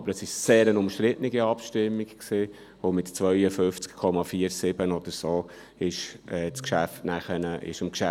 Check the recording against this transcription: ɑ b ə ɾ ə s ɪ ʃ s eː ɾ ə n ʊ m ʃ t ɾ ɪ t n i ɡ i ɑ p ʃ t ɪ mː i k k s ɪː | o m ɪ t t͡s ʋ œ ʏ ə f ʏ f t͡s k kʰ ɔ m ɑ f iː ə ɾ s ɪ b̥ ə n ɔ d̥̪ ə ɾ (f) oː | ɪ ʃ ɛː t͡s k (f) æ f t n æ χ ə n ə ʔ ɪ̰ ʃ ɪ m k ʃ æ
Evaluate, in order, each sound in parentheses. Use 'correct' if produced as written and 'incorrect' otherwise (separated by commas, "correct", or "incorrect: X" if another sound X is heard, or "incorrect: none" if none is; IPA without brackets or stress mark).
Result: incorrect: s, incorrect: ʃ